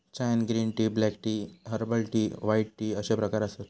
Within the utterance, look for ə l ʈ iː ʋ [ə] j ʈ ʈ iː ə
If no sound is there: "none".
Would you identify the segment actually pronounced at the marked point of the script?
a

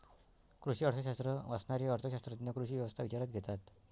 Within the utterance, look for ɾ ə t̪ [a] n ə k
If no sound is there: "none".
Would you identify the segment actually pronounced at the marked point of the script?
i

